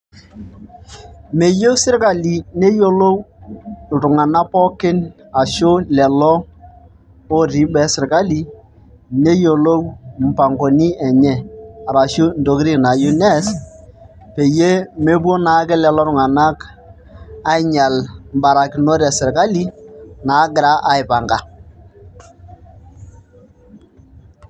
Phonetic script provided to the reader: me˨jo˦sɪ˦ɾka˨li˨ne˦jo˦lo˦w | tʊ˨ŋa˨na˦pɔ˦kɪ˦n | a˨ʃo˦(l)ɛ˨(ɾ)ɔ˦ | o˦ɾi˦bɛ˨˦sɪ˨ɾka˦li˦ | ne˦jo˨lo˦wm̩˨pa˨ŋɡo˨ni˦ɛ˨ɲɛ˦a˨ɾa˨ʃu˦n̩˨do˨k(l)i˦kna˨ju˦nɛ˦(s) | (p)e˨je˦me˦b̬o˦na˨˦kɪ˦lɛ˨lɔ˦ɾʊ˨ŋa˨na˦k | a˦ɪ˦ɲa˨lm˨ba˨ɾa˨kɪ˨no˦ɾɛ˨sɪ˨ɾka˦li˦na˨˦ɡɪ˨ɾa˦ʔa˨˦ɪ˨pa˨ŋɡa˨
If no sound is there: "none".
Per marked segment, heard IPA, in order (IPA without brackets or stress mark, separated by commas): l, l, ɾ, s, p